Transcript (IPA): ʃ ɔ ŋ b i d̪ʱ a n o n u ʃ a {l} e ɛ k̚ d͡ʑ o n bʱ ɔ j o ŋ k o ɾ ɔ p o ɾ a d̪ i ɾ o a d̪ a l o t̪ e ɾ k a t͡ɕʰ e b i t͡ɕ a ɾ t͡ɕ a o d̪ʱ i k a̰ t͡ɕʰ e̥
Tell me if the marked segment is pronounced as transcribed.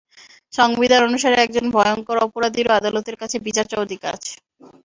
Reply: no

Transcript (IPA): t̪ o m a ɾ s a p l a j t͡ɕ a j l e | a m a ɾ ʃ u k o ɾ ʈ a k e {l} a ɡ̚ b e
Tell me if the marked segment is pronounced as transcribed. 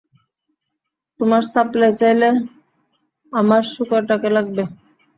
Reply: yes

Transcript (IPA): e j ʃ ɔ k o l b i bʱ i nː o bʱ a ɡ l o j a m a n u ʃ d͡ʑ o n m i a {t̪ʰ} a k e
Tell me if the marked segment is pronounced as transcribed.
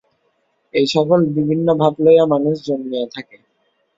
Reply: yes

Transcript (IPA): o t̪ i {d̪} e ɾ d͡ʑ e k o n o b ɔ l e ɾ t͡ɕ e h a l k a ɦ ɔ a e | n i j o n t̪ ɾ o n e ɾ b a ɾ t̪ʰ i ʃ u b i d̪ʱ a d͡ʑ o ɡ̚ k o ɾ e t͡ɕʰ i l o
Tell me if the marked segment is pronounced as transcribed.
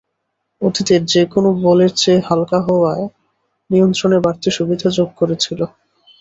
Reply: no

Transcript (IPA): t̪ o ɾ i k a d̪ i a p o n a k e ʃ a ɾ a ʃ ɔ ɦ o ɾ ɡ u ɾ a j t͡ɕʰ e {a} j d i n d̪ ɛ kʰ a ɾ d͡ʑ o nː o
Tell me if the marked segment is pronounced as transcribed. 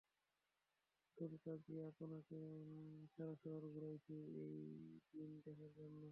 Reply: no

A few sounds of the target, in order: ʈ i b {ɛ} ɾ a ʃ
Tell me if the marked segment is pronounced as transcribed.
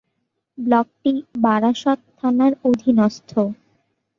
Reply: no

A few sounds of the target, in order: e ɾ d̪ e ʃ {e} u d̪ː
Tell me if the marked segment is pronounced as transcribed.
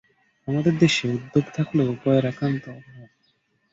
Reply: yes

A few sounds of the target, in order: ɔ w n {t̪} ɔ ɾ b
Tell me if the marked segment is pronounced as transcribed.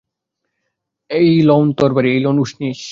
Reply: yes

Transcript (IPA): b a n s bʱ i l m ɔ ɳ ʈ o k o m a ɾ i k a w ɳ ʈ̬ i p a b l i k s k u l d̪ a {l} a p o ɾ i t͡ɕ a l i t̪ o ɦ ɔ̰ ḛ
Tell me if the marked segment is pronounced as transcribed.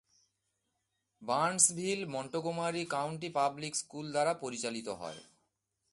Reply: no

